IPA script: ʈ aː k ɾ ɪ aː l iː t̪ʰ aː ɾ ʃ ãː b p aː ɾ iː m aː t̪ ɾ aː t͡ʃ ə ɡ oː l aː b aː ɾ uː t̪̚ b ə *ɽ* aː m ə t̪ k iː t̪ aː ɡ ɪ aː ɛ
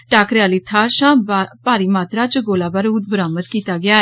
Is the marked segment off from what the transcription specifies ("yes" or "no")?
yes